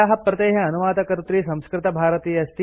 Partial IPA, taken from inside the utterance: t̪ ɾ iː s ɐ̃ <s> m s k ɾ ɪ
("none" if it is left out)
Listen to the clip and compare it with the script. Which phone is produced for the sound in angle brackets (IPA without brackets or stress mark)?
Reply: none